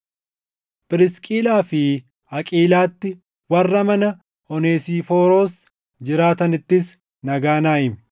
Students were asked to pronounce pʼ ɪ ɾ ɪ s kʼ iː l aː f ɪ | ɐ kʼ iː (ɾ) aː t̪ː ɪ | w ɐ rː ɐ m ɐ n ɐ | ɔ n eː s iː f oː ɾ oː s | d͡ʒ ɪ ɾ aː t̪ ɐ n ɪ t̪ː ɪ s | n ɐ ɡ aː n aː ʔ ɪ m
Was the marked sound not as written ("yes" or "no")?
yes